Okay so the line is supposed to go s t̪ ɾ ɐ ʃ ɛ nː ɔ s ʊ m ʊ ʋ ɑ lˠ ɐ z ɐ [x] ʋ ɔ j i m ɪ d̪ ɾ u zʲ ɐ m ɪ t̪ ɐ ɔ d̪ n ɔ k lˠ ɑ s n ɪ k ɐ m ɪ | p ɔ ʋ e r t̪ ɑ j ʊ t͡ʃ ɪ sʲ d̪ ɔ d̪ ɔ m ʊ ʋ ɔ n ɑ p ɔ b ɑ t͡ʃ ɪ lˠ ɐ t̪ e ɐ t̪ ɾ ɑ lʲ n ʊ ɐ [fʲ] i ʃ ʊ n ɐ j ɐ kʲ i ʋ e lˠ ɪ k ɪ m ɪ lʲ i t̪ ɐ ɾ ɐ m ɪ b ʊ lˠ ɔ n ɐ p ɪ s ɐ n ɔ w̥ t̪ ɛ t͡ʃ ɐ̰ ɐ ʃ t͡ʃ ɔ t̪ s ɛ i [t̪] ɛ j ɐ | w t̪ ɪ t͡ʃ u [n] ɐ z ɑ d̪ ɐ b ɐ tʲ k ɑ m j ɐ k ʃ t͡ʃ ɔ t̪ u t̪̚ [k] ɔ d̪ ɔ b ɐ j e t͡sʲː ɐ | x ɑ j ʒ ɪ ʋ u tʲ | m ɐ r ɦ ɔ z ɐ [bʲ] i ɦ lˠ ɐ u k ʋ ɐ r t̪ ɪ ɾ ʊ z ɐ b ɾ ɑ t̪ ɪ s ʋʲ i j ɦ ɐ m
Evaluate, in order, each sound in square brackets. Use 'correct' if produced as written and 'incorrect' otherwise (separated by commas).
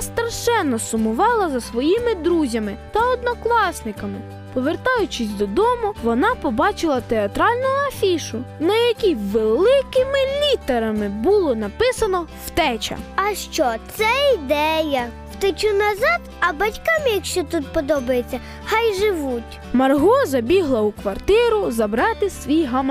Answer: incorrect, correct, incorrect, correct, incorrect, correct